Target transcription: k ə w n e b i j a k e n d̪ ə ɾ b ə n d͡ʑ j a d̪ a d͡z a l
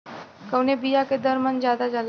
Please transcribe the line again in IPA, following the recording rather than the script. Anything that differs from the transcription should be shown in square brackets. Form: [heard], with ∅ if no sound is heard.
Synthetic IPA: k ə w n e b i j a k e [∅] d̪ ə ɾ [m] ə n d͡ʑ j a d̪ a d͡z a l